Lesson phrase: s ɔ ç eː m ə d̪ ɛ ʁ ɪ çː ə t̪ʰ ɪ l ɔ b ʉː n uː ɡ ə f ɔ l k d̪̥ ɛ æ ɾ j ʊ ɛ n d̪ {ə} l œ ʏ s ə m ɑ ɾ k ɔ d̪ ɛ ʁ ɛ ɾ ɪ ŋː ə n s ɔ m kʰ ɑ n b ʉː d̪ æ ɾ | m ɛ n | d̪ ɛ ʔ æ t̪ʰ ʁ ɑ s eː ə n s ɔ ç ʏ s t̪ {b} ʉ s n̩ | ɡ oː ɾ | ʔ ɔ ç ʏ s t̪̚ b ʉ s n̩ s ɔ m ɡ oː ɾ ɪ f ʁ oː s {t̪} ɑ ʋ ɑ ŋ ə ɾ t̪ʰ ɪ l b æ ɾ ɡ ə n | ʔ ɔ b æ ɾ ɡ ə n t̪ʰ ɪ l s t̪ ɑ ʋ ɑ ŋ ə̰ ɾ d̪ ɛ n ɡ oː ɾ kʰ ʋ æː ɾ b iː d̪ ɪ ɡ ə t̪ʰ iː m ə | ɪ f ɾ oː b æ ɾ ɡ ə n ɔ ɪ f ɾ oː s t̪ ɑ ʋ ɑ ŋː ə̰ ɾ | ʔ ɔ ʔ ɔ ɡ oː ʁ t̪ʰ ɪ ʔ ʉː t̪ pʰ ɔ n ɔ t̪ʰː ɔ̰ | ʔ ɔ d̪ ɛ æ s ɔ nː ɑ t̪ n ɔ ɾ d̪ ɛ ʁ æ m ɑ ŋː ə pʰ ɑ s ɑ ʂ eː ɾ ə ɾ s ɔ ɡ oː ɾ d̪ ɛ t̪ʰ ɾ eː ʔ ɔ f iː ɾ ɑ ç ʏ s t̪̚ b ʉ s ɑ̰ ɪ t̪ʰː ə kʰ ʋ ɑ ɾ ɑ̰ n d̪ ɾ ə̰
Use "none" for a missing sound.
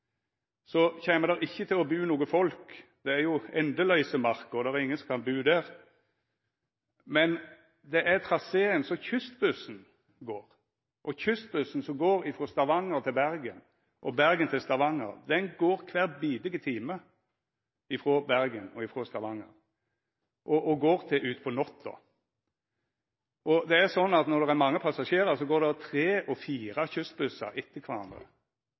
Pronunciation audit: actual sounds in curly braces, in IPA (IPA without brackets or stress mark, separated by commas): ə, b, t̪